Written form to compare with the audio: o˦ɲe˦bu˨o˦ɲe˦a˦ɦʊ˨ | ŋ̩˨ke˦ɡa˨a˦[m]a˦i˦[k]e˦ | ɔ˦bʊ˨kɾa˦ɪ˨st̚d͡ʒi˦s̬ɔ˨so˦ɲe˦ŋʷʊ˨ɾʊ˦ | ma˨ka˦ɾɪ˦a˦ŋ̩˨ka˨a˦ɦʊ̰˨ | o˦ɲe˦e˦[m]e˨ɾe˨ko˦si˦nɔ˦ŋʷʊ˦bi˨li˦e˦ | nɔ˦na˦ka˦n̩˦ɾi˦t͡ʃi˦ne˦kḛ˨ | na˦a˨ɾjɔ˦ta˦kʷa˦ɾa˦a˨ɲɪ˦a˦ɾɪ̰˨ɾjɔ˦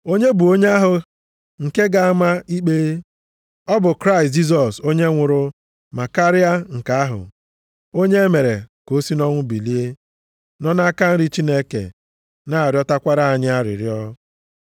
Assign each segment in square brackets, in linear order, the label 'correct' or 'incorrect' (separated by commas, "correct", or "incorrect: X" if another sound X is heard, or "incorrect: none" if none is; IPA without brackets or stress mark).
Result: correct, incorrect: k͡p, correct